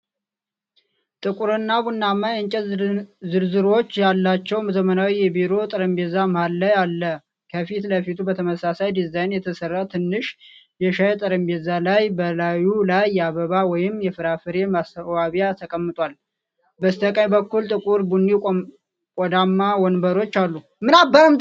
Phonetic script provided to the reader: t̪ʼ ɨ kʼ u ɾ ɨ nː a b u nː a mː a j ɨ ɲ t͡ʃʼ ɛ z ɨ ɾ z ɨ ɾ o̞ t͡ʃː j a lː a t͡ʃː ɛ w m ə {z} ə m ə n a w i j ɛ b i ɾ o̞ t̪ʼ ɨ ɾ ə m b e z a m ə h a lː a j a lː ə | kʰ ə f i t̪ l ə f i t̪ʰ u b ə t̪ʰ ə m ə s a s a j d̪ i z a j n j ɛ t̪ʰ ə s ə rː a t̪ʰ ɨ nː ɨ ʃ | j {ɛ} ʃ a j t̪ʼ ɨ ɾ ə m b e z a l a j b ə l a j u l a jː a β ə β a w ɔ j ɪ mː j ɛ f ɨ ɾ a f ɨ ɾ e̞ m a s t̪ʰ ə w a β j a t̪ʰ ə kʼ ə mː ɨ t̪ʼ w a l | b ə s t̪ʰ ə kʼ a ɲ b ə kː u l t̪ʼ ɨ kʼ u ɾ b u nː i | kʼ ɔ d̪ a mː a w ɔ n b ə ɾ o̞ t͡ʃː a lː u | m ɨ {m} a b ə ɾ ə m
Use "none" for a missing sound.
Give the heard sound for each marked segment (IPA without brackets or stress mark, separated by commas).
z, ɛ, n